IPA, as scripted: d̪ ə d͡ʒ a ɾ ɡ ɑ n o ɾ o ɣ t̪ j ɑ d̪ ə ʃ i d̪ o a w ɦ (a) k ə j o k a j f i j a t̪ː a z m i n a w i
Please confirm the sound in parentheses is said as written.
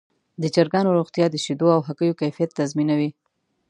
yes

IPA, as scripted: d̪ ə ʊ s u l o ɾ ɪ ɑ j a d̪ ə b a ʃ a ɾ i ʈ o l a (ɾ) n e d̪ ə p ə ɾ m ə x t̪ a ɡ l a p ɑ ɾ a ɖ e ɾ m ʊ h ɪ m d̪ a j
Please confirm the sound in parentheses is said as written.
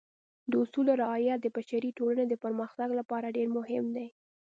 no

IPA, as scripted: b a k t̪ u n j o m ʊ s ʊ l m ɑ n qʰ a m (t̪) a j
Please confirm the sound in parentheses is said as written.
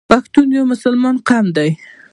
no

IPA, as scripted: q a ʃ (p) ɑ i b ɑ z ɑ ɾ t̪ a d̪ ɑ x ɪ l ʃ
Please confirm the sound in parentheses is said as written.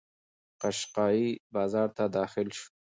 no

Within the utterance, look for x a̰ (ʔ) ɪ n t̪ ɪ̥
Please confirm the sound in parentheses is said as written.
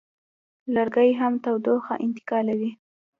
yes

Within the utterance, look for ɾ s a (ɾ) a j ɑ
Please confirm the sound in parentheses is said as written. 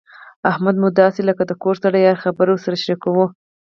no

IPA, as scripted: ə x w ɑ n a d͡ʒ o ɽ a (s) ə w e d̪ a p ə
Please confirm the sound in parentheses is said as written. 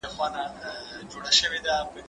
no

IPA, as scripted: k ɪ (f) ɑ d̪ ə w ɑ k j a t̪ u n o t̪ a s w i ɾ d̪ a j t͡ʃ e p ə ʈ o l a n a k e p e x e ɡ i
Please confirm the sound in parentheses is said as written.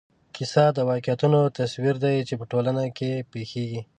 no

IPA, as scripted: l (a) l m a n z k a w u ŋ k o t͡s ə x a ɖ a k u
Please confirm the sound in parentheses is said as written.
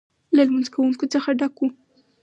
yes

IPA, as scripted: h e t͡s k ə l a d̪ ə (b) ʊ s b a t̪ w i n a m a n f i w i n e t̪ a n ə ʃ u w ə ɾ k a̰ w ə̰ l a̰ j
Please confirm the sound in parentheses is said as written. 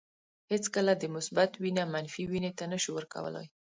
no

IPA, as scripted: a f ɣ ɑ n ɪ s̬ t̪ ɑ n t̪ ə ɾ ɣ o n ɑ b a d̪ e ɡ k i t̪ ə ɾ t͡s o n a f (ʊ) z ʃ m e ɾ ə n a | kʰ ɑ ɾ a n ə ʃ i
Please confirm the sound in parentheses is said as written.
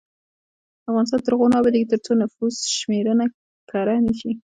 no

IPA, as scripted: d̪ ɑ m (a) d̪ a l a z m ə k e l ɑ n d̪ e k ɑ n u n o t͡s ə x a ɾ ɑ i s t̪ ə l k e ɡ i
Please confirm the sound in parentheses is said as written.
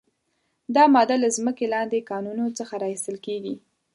no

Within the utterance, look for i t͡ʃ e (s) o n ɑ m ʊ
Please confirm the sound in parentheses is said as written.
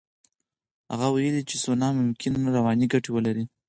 yes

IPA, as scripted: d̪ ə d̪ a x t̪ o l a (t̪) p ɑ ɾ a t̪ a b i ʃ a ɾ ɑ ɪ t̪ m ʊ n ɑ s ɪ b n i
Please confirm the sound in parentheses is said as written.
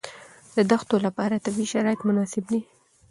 no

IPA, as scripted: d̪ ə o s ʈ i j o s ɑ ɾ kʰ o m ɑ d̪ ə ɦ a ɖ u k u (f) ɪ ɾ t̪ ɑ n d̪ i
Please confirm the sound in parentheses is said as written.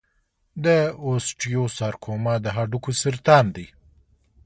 no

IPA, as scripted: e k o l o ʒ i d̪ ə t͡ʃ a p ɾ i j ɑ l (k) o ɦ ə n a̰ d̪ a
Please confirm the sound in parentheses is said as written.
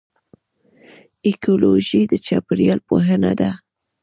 no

